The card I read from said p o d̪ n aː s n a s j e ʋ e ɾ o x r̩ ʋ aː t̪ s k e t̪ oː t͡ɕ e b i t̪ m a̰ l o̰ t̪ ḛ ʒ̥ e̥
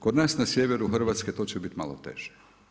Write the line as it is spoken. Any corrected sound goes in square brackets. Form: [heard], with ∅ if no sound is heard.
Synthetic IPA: [k] o d̪ n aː s n a s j e ʋ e ɾ [u] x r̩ ʋ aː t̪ s k e t̪ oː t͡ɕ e b i t̪ m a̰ l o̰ t̪ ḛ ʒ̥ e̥